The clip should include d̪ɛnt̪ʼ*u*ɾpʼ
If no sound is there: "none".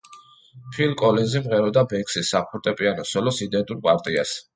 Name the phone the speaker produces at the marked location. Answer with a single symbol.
u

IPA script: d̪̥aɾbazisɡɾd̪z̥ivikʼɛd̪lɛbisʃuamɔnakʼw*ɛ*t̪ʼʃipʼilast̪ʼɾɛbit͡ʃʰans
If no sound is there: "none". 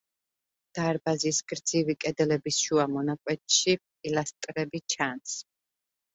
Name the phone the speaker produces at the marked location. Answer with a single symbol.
ɛ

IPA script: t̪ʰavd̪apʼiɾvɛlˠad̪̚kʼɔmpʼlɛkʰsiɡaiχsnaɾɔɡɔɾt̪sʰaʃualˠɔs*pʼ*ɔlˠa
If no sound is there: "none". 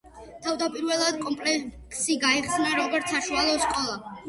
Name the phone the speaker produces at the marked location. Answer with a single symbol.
kʼ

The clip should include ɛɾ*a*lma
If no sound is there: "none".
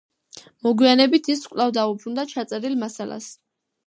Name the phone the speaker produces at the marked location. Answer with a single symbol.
i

